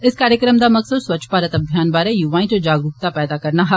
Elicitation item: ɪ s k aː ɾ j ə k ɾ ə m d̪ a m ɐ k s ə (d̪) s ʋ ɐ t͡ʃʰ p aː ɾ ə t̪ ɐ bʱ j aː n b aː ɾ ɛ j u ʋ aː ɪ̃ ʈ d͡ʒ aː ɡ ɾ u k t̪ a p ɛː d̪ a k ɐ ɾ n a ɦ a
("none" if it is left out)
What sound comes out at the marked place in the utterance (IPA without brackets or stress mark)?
d̪